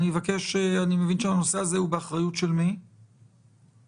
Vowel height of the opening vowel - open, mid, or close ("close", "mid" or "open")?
close